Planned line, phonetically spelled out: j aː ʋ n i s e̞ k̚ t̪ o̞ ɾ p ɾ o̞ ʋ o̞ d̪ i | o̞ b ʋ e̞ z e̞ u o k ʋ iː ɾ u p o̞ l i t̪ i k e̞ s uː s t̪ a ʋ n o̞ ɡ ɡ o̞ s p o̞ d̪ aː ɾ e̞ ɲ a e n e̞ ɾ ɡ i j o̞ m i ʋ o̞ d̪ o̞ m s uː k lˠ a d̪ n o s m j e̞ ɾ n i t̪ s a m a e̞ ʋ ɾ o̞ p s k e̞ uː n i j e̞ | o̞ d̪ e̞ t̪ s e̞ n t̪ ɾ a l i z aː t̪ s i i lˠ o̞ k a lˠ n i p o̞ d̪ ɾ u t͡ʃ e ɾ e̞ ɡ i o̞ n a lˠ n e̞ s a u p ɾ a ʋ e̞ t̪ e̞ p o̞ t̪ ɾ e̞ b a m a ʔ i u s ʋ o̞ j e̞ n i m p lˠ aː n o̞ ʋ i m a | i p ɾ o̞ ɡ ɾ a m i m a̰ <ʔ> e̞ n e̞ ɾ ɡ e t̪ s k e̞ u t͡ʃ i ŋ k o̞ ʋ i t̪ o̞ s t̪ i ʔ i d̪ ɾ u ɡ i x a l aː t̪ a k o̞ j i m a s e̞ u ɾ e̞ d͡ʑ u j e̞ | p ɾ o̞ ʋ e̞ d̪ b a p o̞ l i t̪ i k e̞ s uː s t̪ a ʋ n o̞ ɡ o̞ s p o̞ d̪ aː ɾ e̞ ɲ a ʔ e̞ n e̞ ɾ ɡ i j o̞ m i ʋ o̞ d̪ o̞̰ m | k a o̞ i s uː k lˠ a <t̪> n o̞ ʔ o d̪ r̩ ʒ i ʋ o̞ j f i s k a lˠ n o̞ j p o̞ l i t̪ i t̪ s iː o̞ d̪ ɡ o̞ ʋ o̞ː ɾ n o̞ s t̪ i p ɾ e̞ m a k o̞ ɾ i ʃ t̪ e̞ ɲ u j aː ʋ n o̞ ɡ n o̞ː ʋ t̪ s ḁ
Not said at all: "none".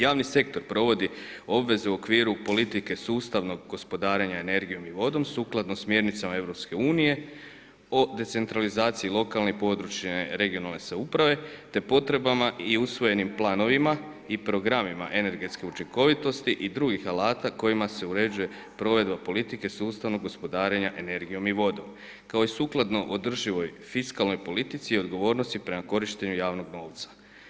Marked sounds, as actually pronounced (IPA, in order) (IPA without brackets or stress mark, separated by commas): ʔ, d̪